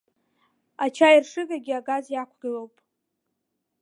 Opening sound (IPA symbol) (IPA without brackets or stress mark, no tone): a